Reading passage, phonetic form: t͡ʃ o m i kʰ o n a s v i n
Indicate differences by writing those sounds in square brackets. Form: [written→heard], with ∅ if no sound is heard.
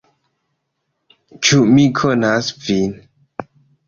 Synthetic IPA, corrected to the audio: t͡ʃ [o→u] m i kʰ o n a s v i n